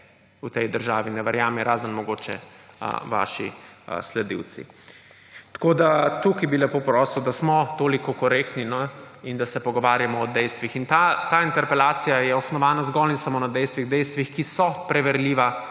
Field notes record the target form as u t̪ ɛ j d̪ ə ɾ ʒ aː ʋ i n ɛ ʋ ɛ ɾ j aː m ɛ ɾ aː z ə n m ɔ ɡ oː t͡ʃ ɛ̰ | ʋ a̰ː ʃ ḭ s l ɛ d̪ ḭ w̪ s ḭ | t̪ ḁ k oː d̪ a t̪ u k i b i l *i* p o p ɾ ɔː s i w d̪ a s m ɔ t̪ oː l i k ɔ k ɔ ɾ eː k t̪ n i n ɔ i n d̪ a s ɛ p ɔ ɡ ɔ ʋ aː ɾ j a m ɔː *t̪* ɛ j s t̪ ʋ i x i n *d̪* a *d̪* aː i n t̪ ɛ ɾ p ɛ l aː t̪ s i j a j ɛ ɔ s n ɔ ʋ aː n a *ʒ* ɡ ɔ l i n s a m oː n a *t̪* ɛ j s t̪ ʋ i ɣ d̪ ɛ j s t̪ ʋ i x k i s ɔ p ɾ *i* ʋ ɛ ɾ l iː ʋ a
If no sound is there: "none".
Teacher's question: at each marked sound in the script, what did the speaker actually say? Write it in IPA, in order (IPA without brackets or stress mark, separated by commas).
ɛ, d̪, t̪, t̪, z, d̪, ɛ